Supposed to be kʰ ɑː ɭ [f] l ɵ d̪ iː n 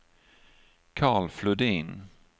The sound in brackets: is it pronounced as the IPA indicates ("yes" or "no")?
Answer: yes